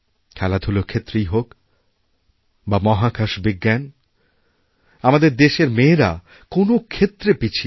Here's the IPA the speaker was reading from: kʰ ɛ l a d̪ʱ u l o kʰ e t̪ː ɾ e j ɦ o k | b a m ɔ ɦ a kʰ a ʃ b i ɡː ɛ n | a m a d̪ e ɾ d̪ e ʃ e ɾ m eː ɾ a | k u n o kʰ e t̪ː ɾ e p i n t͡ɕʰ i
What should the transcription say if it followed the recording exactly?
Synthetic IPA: kʰ ɛ l a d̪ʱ u l o kʰ e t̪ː ɾ e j ɦ o k | b a m ɔ ɦ a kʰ a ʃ b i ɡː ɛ n | a m a d̪ e ɾ d̪ e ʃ e ɾ m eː ɾ a | k o n o kʰ e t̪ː ɾ e p i t͡ɕʰ i